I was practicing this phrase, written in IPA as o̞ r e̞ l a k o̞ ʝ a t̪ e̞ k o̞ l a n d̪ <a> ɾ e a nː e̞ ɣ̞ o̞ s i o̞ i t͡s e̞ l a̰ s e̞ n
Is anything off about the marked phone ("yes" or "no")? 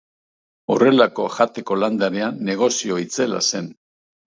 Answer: no